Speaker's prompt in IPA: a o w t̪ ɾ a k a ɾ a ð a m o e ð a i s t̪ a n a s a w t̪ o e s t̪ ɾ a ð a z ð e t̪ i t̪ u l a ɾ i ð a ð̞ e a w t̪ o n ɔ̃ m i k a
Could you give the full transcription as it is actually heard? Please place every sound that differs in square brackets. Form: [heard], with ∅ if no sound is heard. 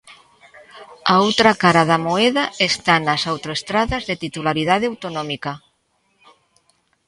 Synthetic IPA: a o w t̪ ɾ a k a ɾ a ð a m o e ð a [e] s t̪ a n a s a w t̪ o e s t̪ ɾ a ð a z ð e t̪ i t̪ u l a ɾ i ð a ð̞ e a w t̪ o n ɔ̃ m i k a